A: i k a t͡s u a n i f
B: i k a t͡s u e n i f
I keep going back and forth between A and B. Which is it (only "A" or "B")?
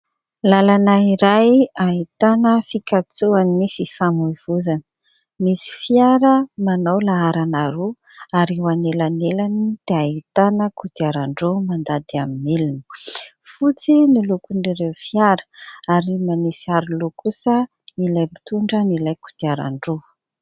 A